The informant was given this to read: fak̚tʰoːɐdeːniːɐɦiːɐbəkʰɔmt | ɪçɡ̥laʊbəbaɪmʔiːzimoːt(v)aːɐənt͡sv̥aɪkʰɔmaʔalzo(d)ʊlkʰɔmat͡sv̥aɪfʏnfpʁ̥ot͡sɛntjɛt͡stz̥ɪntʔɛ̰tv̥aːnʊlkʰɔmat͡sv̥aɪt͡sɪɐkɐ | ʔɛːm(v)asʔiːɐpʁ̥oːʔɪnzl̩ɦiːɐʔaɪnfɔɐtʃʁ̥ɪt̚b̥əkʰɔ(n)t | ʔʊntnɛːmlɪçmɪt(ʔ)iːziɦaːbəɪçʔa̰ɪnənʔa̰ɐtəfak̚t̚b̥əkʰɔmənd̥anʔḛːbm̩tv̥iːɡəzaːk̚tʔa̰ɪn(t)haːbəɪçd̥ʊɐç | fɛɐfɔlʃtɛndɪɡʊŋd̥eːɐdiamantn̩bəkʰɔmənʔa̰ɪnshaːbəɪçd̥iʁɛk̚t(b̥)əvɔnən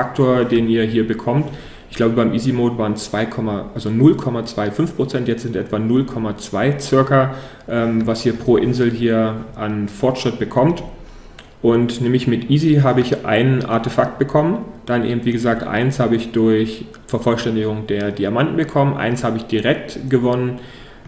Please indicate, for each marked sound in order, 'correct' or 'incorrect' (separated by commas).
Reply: correct, incorrect, correct, incorrect, correct, incorrect, incorrect